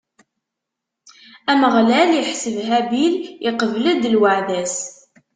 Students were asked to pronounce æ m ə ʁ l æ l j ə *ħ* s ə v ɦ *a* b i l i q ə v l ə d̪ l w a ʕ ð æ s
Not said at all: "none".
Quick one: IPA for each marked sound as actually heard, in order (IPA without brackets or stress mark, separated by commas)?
ħ, æ